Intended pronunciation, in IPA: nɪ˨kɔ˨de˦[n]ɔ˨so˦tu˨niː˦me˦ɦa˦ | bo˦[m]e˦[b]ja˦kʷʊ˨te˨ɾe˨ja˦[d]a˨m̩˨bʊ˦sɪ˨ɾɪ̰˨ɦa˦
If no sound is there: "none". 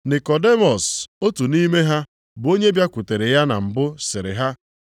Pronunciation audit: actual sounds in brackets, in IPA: m, ɲ, b, n

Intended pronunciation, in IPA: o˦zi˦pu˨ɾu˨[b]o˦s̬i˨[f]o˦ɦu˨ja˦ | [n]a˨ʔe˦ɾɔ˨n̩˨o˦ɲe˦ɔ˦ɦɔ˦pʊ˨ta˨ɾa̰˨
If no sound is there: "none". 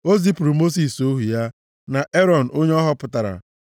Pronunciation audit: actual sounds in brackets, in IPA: m, s, n

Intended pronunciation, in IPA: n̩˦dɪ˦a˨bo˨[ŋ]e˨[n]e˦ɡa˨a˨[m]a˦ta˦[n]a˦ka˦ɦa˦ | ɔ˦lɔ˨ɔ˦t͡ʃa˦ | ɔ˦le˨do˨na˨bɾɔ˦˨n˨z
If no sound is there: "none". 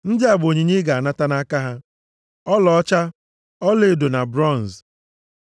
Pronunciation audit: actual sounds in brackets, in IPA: ɲ, ɲ, n, n

